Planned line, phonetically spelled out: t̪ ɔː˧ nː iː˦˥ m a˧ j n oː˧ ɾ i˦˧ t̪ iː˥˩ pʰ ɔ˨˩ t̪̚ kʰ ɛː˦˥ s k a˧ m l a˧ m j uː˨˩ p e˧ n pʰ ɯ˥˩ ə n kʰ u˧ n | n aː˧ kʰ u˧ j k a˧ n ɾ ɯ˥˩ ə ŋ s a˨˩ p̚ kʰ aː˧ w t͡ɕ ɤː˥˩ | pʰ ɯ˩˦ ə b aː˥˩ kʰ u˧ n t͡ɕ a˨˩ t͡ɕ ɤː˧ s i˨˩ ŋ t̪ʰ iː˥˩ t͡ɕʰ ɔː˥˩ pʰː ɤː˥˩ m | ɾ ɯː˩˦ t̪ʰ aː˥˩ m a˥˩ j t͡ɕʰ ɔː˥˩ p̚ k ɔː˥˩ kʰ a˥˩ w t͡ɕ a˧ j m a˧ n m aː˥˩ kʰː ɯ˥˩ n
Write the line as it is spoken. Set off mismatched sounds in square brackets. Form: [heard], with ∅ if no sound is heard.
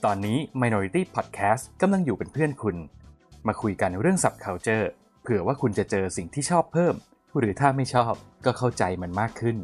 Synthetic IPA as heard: t̪ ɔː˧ nː iː˦˥ m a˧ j n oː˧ ɾ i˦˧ t̪ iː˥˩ pʰ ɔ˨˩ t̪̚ kʰ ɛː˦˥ s k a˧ m l a˧ [ŋ] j uː˨˩ p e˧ n pʰ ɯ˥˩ ə n kʰ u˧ n | [m] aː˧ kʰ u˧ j k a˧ n ɾ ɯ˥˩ ə ŋ s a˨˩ p̚ kʰ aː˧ w t͡ɕ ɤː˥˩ | pʰ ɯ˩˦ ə [w] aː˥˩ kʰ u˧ n t͡ɕ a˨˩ t͡ɕ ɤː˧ s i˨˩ ŋ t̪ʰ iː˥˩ t͡ɕʰ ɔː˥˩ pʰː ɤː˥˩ m | ɾ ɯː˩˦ t̪ʰ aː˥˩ m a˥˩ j t͡ɕʰ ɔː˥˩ p̚ k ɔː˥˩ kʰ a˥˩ w t͡ɕ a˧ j m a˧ n m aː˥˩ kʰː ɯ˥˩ n